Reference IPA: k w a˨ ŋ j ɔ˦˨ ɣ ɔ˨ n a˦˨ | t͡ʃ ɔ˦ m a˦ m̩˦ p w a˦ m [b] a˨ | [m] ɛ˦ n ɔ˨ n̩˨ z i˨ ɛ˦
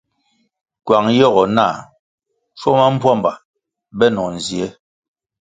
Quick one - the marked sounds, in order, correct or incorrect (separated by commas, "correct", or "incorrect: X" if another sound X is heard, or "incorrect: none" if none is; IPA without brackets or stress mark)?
correct, incorrect: b